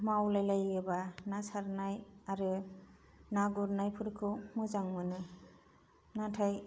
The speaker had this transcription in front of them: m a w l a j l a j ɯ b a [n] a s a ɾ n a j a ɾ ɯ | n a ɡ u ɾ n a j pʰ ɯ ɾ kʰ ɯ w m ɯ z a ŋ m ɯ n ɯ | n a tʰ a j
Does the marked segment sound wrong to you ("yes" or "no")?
no